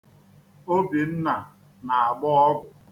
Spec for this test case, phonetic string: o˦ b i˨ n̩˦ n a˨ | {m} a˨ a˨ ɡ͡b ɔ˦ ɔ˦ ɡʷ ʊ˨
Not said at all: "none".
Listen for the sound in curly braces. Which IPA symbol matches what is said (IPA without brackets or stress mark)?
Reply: n